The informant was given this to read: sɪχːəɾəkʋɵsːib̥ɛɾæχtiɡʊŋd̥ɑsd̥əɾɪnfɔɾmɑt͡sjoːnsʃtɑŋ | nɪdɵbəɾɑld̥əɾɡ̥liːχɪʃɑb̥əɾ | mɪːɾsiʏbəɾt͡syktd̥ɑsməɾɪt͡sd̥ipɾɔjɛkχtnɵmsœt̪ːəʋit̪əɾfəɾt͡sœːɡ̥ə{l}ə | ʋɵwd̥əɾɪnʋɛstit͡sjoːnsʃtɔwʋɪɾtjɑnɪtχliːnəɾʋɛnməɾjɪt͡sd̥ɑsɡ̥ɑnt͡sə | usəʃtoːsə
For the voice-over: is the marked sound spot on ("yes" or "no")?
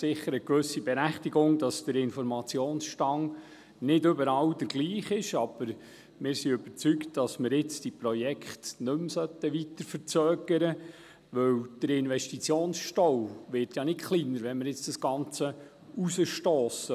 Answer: no